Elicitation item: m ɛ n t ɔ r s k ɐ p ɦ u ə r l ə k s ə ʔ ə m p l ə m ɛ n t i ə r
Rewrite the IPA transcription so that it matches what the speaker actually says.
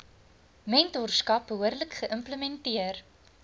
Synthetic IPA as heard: m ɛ n t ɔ r s k ɐ p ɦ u ə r l ə k χ ə ʔ ə m p l ə m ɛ n t i ə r